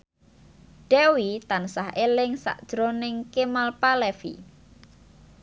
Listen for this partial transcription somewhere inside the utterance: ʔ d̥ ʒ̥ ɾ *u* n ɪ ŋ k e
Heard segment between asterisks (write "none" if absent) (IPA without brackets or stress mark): o